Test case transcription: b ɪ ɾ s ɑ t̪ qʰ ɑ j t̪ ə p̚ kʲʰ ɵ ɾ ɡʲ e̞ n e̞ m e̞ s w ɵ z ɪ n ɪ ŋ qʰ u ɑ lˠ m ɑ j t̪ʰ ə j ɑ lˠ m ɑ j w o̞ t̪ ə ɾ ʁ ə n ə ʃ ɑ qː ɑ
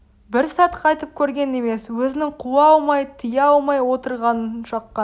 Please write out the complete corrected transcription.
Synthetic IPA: b ɪ ɾ s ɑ t̪ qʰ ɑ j t̪ ə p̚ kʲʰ ɵ ɾ ɡʲ e̞ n e̞ m e̞ s w ɵ z ɪ n ɪ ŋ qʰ u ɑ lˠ m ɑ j t̪ʰ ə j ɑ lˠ m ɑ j w o̞ t̪ ə ɾ ʁ ɑ n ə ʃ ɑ qː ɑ

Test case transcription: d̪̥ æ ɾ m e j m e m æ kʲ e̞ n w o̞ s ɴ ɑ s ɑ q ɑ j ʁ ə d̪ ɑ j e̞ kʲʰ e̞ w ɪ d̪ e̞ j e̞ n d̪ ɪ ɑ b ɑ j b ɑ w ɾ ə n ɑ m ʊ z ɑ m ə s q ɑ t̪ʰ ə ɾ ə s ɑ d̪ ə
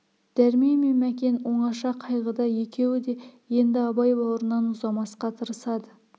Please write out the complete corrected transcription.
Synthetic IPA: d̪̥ æ ɾ m e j m e m æ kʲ e̞ n w o̞ ɴ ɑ ʃ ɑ qʰ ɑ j ʁ ə d̪ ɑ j e̞ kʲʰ e̞ w ɪ d̪ e̞ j e̞ n d̪ ɪ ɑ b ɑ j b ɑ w ɾ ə n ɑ n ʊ z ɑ m ɑ s q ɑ t̪ʰ ə ɾ ə s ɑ d̪ ə

